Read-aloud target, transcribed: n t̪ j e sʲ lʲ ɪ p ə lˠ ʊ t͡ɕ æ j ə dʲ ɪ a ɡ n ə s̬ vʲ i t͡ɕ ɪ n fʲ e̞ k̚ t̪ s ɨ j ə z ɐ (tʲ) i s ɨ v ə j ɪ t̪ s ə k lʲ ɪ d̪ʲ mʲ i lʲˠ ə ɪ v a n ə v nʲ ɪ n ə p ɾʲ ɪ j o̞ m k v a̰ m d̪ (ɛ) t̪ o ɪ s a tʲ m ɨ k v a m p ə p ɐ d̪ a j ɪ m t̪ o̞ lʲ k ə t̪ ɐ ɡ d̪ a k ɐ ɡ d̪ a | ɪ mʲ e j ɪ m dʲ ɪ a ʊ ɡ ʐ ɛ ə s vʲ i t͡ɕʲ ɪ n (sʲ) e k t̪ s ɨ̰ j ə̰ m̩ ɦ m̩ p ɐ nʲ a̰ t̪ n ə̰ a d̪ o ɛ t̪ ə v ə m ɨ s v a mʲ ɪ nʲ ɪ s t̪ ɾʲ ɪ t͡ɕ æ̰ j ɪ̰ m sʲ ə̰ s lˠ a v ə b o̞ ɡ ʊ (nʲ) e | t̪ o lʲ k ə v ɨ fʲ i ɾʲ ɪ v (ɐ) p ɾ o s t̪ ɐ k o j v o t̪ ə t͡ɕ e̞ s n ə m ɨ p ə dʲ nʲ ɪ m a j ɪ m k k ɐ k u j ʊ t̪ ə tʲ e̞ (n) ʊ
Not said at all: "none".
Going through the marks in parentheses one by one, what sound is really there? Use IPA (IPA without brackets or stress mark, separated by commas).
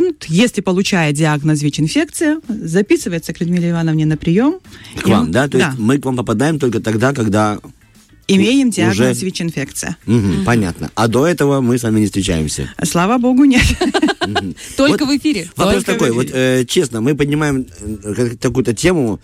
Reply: pʲ, a, fʲ, nʲ, ɐ, m